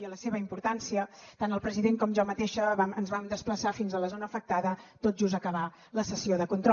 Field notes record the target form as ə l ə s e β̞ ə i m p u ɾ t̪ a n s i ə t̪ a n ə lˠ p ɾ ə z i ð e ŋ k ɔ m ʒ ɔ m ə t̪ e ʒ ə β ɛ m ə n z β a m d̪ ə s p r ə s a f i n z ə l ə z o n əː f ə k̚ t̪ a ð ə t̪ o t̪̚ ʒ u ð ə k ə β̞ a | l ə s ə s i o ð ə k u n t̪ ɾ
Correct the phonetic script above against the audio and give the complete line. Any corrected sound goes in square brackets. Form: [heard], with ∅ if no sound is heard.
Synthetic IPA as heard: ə l ə s e β̞ ə i m p u ɾ t̪ a n s i ə t̪ a n ə lˠ p ɾ ə z i ð e ŋ k ɔ m ʒ ɔ m ə t̪ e [ʃ] ə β [a] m ə n z β a m d̪ ə s p [l] ə s a f i n z ə l ə z o n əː f ə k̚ t̪ a ð ə t̪ o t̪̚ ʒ u [z] ə k ə β̞ a | l ə s ə s i o ð ə k u n t̪ ɾ